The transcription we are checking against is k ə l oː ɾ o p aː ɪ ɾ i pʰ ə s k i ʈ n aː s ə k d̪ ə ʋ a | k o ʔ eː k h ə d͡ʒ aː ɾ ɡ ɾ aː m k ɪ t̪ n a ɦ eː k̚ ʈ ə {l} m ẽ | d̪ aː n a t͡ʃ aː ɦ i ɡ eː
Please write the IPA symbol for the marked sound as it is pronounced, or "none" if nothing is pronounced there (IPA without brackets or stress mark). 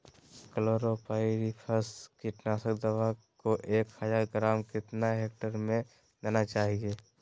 ɾ